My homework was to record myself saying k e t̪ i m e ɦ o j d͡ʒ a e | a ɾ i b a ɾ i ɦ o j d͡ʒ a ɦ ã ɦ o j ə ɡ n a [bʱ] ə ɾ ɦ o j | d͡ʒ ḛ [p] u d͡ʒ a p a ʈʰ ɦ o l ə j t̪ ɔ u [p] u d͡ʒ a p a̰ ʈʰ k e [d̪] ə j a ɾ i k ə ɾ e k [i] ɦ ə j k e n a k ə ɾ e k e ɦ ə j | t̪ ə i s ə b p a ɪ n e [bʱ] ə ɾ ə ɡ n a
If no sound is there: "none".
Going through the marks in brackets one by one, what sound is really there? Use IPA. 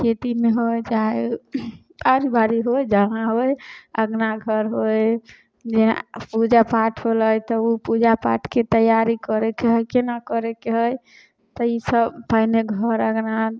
ɡʱ, p, p, t̪, e, ɡʱ

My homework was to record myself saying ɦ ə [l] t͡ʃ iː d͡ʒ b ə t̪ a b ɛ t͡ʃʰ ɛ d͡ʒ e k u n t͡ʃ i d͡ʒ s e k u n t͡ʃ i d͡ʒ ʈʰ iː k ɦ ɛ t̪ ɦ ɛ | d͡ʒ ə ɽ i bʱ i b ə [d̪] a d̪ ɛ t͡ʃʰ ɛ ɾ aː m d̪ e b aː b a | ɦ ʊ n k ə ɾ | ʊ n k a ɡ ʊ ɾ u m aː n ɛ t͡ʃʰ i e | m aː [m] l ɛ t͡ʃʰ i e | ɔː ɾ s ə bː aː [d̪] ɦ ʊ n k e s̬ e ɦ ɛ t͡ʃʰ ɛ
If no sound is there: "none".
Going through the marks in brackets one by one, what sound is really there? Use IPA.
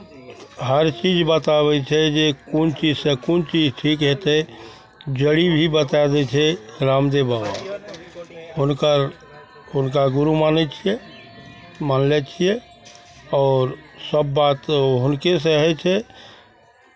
ɾ, t̪, n, t̪

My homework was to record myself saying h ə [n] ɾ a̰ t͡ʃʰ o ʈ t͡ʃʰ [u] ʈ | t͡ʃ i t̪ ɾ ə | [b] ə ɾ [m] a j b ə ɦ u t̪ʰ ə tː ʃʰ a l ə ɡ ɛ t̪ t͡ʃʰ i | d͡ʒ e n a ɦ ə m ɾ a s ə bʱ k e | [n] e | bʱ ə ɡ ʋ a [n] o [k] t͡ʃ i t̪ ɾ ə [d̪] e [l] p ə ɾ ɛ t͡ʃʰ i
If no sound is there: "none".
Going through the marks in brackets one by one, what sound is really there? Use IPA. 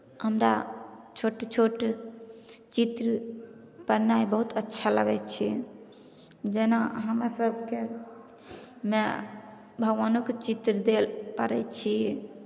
m, o, p, n, m, n, k, d̪, l

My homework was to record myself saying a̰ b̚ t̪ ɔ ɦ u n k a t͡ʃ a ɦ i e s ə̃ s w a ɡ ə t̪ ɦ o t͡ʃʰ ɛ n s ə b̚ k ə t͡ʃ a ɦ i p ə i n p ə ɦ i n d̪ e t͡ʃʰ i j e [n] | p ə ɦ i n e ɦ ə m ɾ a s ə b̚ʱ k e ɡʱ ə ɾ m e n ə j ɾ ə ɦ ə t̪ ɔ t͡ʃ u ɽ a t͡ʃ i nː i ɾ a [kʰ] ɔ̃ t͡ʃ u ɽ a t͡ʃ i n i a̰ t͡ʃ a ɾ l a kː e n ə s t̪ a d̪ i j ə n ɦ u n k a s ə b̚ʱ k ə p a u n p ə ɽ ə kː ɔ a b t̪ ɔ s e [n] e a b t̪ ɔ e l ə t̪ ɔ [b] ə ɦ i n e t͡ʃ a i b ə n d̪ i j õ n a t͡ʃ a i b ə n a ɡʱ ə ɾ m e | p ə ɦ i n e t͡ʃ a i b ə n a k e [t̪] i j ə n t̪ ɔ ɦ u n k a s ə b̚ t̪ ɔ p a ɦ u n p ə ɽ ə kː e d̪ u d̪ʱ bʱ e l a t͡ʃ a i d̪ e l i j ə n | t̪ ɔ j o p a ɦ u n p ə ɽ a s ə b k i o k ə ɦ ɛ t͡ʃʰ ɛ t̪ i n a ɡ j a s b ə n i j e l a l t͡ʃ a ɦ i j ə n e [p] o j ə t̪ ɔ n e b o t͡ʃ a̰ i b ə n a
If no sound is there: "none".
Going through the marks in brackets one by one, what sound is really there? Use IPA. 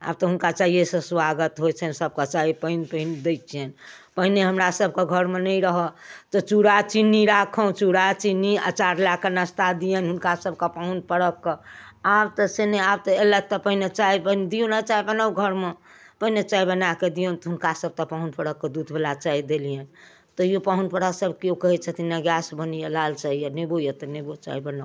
n, kʰ, n, p, d̪, b

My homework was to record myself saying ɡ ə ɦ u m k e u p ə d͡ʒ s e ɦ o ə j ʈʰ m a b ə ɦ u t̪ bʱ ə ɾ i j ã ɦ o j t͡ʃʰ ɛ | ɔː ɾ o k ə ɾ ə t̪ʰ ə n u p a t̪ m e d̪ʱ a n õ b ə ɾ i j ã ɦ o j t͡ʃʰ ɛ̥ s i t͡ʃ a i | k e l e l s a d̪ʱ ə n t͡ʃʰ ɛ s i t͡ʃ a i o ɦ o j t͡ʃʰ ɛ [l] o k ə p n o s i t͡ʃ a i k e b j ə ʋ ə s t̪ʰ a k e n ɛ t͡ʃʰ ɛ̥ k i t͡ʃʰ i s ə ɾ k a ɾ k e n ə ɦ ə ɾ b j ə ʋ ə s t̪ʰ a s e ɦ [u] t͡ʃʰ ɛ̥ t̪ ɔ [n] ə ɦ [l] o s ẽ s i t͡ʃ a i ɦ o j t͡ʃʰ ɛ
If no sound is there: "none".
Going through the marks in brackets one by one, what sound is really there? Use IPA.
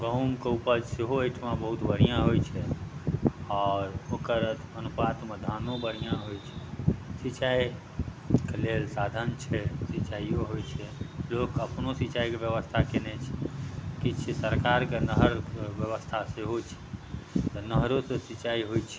l, o, n, ɾ

